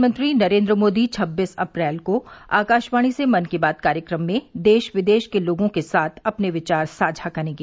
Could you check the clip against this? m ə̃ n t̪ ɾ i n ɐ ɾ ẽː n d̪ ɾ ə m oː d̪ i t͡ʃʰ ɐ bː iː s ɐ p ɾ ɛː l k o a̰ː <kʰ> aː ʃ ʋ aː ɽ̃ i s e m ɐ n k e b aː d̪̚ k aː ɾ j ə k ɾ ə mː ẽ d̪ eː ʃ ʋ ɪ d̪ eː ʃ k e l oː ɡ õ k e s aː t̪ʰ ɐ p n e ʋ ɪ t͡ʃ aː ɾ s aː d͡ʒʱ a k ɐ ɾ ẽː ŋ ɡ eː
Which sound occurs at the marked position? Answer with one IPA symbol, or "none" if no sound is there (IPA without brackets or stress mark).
k